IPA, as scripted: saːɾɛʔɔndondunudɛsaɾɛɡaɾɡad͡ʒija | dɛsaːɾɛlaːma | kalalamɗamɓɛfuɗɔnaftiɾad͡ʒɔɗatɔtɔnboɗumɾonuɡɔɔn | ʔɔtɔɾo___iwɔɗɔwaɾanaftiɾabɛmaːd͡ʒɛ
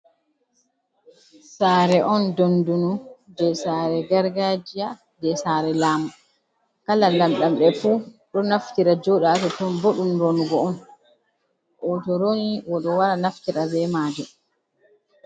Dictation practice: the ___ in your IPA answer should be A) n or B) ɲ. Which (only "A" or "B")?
A